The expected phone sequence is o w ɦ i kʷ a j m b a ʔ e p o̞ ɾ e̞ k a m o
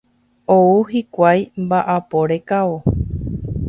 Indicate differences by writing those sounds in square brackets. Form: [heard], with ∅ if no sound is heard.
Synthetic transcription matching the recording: o [u] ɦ i kʷ a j m b a ʔ [a] p o̞ ɾ e̞ k a [∅] o